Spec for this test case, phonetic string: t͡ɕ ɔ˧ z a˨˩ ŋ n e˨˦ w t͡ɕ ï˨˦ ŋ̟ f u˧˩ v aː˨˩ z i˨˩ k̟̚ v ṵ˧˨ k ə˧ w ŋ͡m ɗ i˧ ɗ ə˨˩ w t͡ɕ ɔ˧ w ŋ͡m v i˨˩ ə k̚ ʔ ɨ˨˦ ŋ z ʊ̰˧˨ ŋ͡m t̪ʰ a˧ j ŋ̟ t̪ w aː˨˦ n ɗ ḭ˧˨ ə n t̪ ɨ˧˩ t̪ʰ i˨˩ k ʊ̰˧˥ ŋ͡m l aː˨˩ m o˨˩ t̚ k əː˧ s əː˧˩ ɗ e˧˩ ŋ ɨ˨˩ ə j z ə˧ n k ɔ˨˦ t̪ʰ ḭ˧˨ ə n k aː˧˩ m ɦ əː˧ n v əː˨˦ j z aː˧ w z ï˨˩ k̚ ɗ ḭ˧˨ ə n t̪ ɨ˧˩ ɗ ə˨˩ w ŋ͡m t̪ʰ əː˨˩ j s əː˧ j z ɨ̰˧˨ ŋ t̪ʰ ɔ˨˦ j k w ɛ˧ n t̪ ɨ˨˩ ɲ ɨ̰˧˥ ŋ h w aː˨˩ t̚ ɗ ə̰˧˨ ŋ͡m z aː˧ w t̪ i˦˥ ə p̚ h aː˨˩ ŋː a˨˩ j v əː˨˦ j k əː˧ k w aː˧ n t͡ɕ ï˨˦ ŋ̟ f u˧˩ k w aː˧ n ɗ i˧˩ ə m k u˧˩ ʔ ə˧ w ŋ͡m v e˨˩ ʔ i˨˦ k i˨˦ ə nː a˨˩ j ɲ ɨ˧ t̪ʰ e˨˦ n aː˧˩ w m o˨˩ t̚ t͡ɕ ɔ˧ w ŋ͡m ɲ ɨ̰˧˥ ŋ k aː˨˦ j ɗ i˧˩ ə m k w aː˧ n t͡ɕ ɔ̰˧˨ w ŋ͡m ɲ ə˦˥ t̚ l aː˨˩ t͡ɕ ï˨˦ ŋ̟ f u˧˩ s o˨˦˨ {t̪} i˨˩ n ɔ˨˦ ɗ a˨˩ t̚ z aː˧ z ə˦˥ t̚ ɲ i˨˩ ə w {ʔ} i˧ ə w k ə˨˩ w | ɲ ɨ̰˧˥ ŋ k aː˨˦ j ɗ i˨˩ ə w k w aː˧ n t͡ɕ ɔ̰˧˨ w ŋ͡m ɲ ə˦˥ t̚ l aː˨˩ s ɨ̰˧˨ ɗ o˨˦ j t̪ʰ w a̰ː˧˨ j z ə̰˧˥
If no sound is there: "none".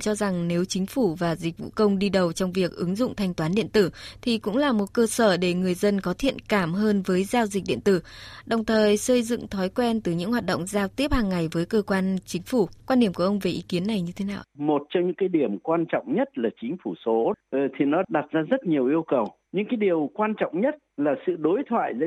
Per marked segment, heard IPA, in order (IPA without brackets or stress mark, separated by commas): t̪ʰ, ʔ